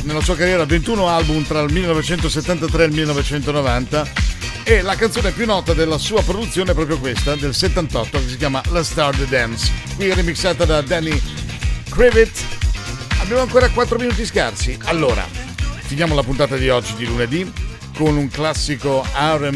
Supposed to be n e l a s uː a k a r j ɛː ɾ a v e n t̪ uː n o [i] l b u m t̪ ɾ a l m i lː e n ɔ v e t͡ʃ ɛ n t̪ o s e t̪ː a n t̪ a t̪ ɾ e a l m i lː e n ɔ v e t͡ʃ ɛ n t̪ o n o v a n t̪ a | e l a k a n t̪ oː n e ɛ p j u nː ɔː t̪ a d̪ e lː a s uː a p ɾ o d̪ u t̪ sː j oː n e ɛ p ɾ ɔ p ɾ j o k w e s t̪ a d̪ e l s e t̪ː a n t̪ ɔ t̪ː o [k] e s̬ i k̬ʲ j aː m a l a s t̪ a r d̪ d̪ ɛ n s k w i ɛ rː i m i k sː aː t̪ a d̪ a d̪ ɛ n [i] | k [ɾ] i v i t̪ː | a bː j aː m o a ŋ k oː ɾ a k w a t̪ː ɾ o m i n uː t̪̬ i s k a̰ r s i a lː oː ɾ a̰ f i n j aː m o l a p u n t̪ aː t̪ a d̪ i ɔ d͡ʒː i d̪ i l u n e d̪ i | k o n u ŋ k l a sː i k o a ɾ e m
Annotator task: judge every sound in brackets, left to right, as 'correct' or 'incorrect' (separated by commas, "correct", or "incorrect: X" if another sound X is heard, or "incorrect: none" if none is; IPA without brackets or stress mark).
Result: incorrect: a, correct, correct, correct